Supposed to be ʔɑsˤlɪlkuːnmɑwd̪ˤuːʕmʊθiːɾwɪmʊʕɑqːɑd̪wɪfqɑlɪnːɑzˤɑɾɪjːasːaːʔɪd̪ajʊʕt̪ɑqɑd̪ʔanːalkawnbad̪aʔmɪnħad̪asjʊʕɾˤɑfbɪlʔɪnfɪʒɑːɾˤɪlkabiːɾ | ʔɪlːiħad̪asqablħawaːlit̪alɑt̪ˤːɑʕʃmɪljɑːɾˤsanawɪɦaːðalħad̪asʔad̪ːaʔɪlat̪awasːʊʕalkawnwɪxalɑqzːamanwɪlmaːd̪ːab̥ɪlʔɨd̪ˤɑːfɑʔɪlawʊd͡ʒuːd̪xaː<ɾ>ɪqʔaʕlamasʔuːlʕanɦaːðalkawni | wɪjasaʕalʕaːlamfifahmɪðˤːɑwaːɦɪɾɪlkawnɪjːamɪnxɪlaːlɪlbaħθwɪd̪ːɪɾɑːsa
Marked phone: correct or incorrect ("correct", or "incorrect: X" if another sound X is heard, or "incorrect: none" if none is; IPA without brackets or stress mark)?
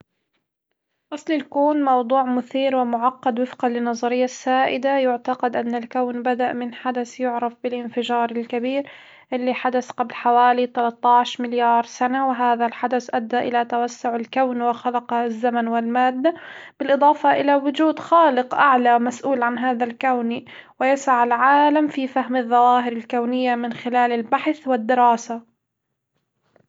incorrect: l